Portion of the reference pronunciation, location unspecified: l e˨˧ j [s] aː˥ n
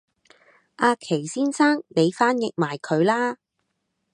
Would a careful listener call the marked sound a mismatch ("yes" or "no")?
yes